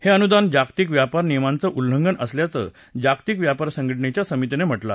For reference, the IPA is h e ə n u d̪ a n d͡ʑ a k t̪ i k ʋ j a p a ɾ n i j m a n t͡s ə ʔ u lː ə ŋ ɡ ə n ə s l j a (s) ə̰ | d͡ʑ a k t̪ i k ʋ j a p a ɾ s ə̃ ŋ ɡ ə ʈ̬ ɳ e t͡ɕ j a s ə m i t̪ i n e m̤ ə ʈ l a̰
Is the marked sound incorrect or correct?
incorrect